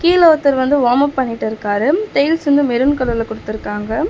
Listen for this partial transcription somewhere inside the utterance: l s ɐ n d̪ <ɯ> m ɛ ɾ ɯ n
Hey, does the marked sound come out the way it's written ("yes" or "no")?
yes